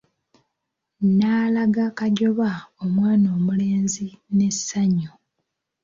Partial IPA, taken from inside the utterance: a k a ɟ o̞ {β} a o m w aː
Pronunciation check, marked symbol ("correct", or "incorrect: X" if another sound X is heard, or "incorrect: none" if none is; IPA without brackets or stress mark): correct